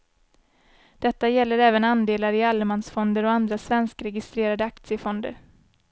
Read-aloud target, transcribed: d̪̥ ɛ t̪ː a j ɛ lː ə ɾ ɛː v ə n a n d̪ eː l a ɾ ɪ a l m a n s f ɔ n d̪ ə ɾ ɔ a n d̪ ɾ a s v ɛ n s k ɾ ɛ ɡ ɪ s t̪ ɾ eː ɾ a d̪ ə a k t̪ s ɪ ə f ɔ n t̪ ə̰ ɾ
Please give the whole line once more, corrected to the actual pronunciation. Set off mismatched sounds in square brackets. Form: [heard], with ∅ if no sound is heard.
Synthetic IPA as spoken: d̪̥ ɛ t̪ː a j ɛ lː ə ɾ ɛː v ə n a n d̪ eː l a ɾ ɪ a l m a n s f ɔ n d̪ ə ɾ ɔ a n d̪ ɾ a s v ɛ n s k ɾ ɛ ɡ ɪ s t̪ ɾ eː ɾ a d̪ ə a k t̪ s ɪ ə f ɔ n [d̪] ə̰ ɾ